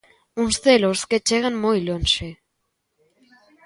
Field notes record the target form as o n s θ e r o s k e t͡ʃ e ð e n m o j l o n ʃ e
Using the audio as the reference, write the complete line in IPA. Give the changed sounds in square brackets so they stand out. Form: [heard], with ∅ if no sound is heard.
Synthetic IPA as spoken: [u] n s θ e [l] o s k e t͡ʃ e [ɣ] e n m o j l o n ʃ e